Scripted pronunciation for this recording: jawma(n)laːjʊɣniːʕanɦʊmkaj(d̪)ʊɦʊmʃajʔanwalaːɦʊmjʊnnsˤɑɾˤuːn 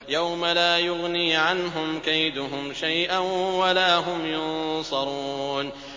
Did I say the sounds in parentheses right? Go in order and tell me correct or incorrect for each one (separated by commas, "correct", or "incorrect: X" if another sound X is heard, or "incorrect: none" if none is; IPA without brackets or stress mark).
incorrect: none, correct